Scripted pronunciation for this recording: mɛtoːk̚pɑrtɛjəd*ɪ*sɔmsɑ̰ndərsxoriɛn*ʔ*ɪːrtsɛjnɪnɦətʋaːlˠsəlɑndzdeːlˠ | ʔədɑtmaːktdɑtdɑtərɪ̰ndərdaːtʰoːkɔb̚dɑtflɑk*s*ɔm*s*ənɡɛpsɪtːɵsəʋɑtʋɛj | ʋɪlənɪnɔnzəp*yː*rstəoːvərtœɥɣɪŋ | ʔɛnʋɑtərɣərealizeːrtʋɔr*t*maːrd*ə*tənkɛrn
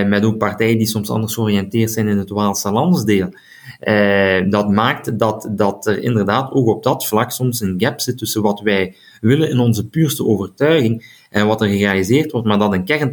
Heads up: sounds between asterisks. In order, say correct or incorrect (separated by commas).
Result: incorrect, incorrect, correct, correct, correct, correct, incorrect